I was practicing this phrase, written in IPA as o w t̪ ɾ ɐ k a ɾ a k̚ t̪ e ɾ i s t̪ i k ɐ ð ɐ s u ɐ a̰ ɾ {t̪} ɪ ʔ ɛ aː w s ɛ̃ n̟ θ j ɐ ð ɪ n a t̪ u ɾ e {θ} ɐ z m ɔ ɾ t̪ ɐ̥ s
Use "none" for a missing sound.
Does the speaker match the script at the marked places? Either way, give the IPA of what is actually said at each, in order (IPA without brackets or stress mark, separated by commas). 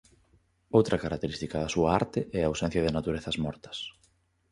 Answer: t̪, θ